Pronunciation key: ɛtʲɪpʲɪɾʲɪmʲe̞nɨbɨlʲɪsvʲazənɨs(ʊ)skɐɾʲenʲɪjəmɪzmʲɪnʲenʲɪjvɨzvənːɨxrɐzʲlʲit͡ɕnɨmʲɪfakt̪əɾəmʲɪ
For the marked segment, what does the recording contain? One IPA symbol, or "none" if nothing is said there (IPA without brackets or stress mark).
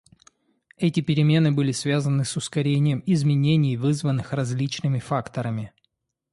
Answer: ʊ